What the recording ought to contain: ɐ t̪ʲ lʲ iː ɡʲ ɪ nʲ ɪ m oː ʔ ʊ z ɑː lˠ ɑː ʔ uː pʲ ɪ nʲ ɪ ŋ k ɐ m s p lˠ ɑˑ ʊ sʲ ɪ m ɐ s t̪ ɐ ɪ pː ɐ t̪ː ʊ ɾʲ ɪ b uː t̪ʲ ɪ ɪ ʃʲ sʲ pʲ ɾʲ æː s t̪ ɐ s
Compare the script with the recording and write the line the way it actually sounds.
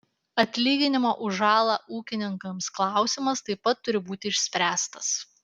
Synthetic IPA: ɐ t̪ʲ lʲ iː ɡʲ ɪ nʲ ɪ m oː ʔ ʊ ʒ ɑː lˠ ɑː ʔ uː kʲ ɪ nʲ ɪ ŋ k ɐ m s k lˠ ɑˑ ʊ sʲ ɪ m ɐ s t̪ ɐ ɪ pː ɐ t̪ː ʊ ɾʲ ɪ b uː t̪ʲ ɪ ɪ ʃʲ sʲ pʲ ɾʲ æː s t̪ ɐ s